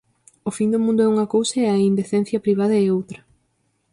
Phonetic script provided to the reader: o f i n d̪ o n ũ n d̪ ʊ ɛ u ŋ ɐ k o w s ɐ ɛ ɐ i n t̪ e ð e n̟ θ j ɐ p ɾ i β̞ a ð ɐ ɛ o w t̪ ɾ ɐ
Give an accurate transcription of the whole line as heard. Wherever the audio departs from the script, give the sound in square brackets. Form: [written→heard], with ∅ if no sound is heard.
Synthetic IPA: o f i n d̪ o [n→m] ũ n d̪ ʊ ɛ u ŋ ɐ k o w s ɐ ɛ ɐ i n [t̪→d̪] e [ð→θ] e n̟ θ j ɐ p ɾ i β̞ a ð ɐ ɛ o w t̪ ɾ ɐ